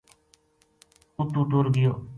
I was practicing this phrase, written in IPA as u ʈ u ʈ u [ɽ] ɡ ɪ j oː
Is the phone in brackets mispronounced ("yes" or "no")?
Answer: yes